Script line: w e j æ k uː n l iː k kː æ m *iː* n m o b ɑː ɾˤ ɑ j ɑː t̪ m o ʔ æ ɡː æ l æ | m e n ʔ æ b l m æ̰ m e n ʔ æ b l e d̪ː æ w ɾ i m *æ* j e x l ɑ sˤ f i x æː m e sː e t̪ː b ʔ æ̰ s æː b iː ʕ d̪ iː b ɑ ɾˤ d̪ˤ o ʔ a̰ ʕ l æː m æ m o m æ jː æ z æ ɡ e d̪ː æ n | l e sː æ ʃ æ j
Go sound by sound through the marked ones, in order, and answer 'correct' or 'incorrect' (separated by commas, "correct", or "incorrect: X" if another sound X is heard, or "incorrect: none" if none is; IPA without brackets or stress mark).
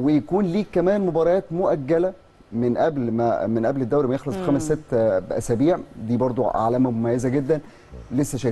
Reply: incorrect: æː, correct